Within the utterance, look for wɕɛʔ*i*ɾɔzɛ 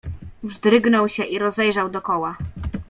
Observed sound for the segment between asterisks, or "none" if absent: i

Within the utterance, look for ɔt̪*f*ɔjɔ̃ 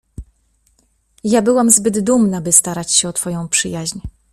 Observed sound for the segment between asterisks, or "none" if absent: f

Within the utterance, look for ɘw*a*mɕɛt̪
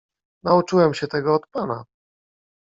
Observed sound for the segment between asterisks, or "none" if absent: ɛ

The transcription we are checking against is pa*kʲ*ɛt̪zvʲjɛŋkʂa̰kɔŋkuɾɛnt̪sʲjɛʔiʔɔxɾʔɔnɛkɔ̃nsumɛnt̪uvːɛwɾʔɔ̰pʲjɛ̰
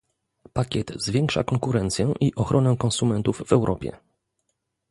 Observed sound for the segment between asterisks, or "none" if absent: kʲ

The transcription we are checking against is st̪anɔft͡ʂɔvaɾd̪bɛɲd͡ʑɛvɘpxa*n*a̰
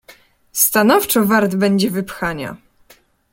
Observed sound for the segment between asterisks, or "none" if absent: ɲ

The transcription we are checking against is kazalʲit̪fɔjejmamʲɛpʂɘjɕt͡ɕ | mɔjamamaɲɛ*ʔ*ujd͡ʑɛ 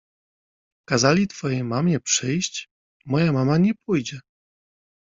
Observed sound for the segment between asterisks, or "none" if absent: p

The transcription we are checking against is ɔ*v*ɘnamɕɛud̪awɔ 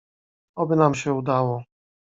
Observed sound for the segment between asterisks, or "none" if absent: b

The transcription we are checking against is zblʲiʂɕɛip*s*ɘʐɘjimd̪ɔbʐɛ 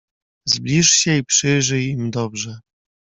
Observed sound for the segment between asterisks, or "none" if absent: ʂ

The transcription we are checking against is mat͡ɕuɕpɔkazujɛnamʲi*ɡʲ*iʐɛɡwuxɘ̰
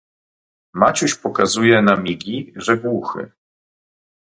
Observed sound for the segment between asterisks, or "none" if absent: ɡʲ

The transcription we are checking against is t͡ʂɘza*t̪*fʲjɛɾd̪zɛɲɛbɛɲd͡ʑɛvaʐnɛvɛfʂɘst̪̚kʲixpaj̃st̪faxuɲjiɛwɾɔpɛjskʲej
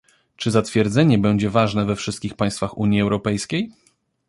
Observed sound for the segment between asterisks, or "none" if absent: t̪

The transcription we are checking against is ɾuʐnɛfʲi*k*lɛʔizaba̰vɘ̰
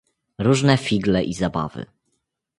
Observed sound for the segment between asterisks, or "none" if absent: ɡ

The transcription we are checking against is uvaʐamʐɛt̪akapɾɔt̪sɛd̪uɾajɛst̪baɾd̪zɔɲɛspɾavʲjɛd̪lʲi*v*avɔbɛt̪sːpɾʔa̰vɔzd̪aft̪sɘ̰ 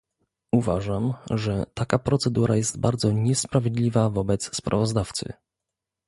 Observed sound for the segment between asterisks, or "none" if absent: v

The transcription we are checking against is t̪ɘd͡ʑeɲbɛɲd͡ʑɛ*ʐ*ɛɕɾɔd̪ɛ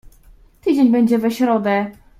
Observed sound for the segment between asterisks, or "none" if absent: v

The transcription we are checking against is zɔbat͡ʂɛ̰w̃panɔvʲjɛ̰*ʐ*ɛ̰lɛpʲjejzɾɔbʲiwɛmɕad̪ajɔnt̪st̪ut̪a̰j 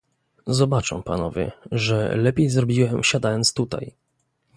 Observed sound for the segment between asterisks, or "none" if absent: ʐ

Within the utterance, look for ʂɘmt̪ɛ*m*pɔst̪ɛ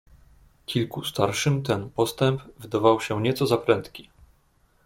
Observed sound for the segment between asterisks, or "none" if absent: n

